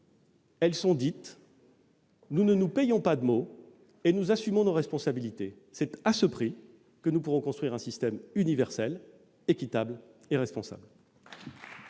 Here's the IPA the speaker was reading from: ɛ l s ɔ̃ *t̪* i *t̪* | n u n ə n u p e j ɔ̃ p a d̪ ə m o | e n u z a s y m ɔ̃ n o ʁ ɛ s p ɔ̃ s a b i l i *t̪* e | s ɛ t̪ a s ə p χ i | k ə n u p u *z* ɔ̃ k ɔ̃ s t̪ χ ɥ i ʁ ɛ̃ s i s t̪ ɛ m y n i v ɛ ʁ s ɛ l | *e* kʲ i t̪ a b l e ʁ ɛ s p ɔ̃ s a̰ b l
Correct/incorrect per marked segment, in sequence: incorrect: d̪, correct, correct, incorrect: ʁ, correct

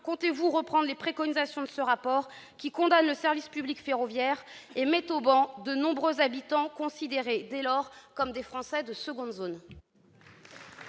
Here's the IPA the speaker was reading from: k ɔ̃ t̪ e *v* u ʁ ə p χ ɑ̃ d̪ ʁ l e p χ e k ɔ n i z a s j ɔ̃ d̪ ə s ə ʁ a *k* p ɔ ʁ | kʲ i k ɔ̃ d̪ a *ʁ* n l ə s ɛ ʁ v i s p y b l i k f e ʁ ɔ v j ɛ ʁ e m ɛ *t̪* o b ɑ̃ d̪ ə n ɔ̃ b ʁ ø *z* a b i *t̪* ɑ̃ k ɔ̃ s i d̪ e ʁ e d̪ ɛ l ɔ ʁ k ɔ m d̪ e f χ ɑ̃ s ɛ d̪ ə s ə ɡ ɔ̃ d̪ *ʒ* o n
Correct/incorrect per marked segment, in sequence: correct, incorrect: none, incorrect: none, correct, correct, correct, incorrect: z

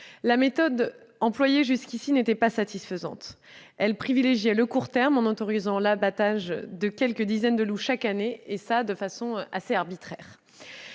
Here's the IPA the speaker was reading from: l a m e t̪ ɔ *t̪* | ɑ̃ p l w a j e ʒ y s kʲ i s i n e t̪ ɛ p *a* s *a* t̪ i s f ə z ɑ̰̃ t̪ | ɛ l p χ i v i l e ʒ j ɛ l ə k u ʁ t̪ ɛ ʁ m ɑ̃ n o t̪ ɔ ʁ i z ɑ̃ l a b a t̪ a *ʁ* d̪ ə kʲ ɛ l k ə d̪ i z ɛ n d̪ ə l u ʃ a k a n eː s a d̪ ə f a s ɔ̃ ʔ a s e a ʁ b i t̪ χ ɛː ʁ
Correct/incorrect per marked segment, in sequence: incorrect: d̪, correct, correct, incorrect: ʒ

